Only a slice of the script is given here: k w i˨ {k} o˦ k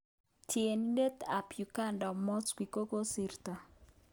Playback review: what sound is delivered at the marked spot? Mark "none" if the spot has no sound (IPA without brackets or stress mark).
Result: k